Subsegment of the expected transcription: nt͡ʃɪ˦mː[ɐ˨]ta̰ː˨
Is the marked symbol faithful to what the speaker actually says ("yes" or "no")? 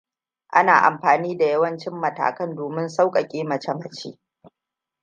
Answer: yes